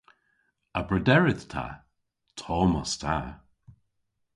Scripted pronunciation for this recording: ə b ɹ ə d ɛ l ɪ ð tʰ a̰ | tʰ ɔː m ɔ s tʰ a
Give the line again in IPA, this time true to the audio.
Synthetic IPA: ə b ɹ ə d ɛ ɹ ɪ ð tʰ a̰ | tʰ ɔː m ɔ s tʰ a